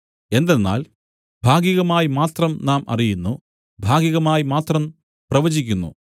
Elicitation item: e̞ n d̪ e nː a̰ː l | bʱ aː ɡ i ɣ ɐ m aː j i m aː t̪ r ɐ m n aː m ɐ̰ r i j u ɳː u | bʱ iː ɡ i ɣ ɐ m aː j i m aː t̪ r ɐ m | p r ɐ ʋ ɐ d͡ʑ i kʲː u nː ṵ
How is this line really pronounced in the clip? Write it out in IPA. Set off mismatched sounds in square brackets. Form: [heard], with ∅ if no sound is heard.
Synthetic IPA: e̞ n d̪ e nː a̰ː l | bʱ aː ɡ i ɣ ɐ m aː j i m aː t̪ r ɐ m n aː m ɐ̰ r i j u [nː] u | bʱ [aː] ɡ i ɣ ɐ m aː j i m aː t̪ r ɐ m | p r ɐ ʋ ɐ d͡ʑ i kʲː u nː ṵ